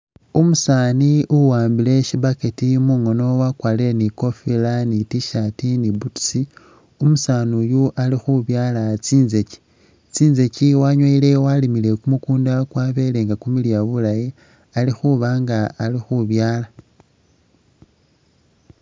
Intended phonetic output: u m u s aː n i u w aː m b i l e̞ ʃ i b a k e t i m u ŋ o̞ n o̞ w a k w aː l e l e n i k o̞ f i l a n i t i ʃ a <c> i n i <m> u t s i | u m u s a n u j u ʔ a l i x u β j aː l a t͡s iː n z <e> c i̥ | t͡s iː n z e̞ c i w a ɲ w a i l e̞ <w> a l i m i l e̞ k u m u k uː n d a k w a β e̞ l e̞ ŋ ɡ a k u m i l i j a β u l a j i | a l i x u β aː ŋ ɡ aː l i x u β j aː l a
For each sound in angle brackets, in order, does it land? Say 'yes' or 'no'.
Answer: no, no, yes, yes

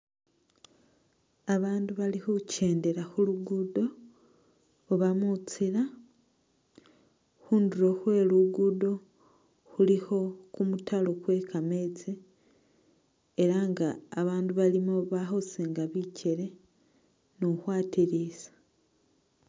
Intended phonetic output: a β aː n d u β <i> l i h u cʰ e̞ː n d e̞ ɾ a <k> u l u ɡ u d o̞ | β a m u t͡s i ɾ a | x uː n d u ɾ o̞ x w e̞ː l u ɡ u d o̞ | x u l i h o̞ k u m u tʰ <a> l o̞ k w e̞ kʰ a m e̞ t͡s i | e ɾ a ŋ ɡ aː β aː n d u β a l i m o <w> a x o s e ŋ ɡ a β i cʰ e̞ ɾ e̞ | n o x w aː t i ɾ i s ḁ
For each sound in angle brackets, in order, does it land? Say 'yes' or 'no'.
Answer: no, no, yes, no

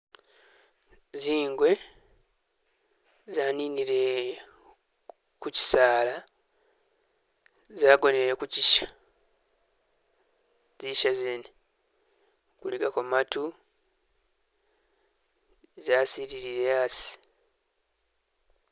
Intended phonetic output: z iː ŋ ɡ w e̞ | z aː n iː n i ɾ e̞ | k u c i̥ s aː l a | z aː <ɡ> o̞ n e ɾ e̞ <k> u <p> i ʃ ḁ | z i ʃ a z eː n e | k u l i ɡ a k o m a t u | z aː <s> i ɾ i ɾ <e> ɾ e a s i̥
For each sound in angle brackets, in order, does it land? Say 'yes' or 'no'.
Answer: yes, yes, no, yes, no

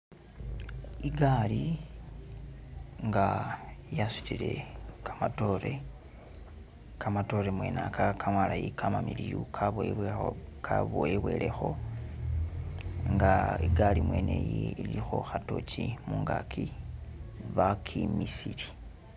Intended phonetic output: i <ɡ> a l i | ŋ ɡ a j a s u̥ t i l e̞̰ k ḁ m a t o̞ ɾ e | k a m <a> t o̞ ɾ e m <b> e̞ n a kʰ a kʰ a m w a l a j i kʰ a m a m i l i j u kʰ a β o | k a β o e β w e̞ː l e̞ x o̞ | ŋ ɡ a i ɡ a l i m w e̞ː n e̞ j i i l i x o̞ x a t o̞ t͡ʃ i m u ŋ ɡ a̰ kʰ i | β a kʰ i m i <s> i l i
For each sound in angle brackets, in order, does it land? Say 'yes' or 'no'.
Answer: yes, yes, no, yes

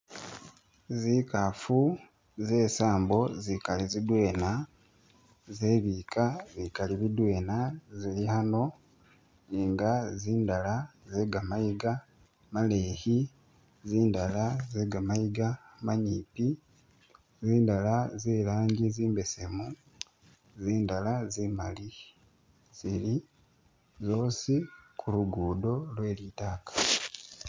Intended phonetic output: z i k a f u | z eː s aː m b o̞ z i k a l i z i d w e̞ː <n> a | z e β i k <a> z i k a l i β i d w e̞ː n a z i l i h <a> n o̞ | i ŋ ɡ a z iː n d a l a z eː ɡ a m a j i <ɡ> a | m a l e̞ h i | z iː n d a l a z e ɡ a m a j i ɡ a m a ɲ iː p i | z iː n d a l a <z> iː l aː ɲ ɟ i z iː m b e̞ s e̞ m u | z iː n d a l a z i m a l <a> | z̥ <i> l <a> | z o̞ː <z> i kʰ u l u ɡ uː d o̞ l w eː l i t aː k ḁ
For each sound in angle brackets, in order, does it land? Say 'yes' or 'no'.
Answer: yes, yes, yes, yes, yes, no, yes, no, no

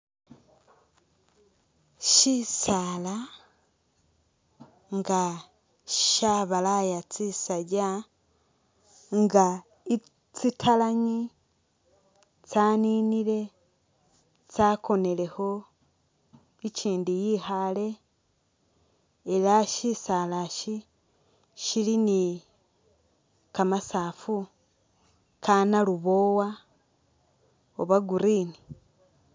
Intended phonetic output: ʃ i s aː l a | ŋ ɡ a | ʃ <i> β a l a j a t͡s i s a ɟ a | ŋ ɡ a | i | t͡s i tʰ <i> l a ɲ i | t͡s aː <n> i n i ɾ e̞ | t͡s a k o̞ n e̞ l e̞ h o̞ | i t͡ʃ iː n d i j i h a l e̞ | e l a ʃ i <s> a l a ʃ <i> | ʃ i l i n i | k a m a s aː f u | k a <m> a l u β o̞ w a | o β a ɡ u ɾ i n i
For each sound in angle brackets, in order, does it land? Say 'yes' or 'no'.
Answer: no, no, yes, yes, yes, no

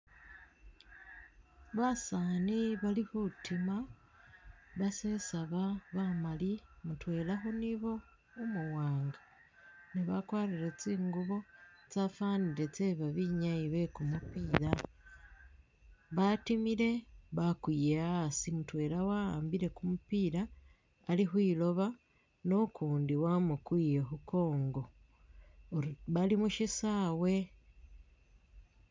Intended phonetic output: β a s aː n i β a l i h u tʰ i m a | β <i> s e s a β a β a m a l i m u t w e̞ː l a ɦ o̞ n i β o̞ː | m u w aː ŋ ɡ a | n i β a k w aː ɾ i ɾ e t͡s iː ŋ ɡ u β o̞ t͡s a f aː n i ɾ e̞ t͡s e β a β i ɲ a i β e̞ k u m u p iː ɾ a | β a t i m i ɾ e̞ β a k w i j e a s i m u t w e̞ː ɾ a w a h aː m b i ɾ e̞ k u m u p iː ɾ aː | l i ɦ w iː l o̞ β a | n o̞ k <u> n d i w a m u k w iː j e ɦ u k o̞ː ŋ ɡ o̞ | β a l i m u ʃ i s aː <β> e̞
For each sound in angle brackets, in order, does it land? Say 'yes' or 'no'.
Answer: no, no, no

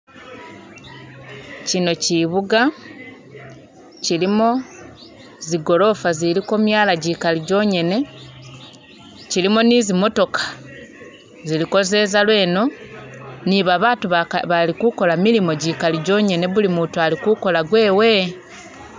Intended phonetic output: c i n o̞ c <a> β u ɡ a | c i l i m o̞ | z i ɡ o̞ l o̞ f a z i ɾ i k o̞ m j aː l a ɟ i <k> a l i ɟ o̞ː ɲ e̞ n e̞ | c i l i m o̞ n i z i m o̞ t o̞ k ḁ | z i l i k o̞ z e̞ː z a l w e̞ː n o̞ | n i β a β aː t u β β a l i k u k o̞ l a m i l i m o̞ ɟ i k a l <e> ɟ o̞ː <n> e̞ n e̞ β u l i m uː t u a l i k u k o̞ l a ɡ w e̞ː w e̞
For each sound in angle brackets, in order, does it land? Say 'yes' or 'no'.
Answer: no, yes, no, no

